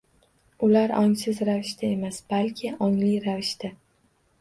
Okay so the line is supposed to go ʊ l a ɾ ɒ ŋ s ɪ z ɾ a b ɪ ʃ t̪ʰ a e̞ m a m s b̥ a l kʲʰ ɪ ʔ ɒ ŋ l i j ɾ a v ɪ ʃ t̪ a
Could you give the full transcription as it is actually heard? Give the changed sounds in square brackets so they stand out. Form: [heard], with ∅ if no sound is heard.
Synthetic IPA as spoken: ʊ l a ɾ ɒ ŋ s ɪ z ɾ a [v] ɪ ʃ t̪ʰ a e̞ m a [∅] s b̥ a l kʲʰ ɪ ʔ ɒ ŋ l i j ɾ a v ɪ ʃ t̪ a